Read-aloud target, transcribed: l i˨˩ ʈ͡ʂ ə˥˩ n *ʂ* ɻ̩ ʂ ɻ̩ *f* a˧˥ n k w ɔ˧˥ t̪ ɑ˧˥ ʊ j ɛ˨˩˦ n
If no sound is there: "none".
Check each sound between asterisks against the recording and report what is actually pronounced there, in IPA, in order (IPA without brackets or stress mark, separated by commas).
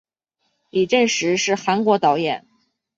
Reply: ʂ, x